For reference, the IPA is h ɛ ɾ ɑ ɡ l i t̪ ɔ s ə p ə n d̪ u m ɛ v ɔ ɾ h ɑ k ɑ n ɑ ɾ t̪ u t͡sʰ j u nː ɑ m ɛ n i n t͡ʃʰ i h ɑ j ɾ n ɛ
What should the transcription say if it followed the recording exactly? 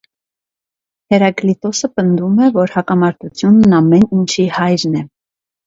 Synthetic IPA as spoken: h ɛ ɾ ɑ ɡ l i t̪ ɔ s ə p ə n d̪ u m ɛ v ɔ ɾ h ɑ k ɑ m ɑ ɾ t̪ u t͡sʰ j u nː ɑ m ɛ n i n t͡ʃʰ i h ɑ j ɾ n ɛ